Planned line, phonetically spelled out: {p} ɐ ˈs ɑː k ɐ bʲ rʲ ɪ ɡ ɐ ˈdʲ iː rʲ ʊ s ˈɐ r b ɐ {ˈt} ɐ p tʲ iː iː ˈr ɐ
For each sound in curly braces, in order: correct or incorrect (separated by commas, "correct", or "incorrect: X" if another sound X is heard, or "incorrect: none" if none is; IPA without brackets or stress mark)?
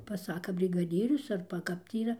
correct, incorrect: k